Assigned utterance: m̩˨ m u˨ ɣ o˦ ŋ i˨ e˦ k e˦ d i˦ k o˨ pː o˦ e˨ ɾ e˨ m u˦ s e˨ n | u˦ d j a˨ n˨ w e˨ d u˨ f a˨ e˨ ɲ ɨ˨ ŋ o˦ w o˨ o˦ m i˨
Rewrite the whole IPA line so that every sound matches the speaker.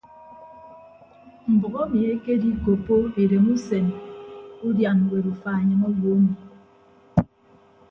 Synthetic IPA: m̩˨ b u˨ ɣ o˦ m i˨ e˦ k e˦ d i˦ k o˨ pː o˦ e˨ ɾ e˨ m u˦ s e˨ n | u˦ d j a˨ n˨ w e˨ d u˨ f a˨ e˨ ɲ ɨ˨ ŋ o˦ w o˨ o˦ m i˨